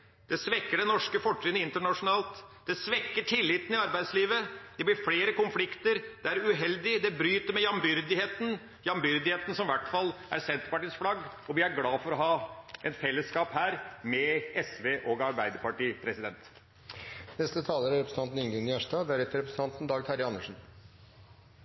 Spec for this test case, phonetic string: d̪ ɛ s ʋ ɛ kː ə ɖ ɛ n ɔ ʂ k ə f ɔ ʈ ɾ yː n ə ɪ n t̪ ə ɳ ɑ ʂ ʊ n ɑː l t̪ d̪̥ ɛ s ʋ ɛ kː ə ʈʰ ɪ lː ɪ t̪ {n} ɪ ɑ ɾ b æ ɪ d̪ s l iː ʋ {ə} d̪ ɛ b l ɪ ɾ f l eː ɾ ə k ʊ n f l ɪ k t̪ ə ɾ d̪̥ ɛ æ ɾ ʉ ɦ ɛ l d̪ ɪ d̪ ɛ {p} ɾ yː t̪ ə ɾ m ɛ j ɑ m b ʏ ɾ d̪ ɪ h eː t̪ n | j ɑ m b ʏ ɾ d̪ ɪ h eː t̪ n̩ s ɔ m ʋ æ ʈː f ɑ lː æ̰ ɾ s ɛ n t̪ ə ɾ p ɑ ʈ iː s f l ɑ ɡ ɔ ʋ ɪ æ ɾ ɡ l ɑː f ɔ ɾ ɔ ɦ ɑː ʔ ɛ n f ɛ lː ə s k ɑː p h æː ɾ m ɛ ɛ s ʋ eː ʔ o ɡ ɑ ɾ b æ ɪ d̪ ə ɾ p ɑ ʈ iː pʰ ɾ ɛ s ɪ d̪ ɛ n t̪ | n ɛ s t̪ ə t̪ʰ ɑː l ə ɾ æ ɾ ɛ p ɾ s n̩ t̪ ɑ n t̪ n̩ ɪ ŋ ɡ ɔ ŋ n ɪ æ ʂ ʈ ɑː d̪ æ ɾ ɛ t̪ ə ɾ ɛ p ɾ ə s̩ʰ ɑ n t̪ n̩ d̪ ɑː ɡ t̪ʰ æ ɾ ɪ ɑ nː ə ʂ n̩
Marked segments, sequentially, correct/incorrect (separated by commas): correct, correct, incorrect